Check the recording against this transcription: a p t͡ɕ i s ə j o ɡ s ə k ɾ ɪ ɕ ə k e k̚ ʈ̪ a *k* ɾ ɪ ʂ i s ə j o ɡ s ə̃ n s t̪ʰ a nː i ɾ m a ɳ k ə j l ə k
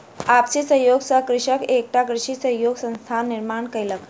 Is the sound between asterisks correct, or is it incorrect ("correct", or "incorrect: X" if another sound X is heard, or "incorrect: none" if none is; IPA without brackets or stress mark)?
correct